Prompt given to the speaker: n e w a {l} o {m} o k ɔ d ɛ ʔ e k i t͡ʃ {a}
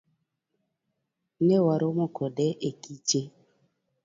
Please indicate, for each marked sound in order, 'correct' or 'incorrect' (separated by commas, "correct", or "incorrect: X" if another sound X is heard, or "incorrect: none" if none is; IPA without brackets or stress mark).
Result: incorrect: ɾ, correct, incorrect: e